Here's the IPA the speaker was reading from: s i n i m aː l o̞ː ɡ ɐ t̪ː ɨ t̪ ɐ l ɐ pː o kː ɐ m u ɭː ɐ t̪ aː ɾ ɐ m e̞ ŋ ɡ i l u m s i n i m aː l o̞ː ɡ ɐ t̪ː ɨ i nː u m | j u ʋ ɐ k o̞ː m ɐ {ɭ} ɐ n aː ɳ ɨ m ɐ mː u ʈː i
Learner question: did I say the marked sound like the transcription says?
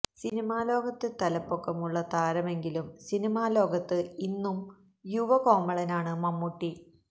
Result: yes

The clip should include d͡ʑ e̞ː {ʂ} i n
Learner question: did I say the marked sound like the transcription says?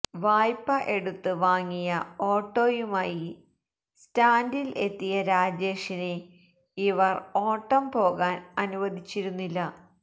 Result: yes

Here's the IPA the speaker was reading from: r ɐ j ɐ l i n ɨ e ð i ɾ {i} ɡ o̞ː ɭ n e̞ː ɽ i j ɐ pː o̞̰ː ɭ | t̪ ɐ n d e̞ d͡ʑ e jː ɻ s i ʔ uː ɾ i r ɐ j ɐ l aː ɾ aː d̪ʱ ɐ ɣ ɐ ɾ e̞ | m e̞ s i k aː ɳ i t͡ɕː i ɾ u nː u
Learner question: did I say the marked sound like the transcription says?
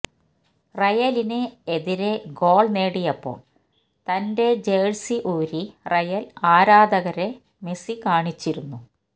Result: no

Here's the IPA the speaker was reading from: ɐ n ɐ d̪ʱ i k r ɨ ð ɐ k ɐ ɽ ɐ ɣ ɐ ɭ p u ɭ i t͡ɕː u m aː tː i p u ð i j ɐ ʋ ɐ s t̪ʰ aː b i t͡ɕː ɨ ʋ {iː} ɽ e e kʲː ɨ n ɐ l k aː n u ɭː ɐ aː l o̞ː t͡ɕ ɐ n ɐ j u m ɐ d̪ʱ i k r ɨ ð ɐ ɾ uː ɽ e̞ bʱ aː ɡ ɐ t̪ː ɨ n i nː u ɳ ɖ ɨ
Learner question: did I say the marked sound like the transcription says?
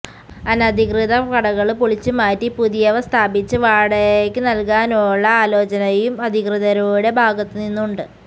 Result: no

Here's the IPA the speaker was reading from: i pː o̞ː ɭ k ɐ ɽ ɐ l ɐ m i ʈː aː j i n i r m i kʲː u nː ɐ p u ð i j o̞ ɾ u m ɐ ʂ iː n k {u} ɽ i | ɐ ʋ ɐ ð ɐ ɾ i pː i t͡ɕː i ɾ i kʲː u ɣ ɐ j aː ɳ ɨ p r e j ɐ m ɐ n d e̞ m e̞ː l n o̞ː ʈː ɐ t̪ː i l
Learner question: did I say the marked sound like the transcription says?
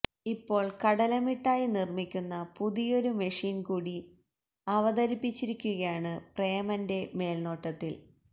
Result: no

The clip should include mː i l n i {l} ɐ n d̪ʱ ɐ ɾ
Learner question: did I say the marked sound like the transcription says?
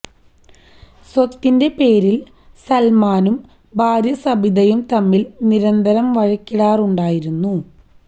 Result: no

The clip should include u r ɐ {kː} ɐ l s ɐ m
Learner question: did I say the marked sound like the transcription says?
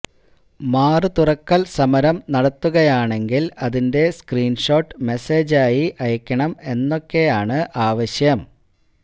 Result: yes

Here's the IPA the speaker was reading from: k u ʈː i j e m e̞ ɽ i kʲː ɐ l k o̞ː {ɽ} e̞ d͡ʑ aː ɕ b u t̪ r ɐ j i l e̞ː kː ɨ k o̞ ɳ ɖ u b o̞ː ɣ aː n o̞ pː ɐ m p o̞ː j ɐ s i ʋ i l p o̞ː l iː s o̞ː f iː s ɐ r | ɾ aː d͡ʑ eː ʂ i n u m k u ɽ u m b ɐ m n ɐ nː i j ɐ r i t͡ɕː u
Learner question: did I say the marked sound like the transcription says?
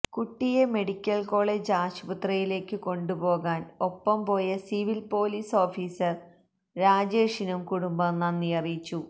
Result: no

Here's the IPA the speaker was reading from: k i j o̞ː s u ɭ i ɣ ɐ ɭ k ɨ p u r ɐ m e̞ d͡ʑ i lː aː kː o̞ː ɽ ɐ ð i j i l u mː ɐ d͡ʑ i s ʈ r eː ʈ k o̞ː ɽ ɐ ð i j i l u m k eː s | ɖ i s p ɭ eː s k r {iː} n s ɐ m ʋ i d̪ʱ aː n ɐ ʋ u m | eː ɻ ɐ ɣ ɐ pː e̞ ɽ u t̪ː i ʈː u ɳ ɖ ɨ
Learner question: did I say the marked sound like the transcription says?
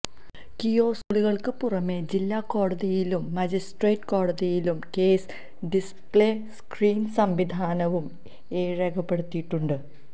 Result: yes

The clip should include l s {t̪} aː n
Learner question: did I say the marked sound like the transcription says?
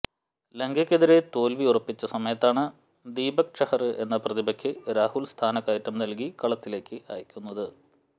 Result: no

